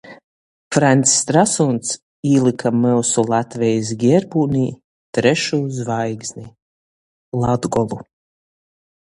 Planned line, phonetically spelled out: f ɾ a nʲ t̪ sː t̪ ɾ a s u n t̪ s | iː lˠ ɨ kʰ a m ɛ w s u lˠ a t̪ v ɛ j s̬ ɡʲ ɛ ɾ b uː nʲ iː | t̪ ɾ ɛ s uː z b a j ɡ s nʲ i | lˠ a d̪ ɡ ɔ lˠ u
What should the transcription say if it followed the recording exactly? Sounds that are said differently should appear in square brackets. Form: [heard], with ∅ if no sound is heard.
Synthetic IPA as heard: f ɾ a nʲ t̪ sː t̪ ɾ a s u n t̪ s | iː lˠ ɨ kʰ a m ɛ w s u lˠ a t̪ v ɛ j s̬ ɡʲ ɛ ɾ b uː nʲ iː | t̪ ɾ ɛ [ʃ] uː z [v] a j ɡ [z] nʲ i | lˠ a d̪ ɡ ɔ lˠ u